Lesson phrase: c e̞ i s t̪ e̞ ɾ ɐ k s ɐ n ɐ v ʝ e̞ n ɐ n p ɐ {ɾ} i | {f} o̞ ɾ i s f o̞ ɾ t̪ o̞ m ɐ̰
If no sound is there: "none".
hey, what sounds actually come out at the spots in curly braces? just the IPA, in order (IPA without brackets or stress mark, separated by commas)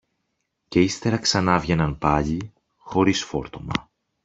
ʎ, x